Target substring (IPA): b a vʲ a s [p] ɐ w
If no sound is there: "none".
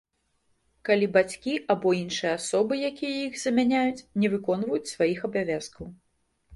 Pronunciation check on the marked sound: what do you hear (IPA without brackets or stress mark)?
k